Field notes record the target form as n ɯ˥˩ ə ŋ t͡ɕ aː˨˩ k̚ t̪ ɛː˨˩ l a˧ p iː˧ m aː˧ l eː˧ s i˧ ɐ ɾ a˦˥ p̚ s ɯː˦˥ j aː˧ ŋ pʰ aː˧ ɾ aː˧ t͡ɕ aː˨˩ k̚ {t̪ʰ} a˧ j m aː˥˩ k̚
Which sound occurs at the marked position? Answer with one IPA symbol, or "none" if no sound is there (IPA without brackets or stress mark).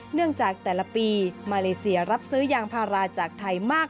t̪ʰ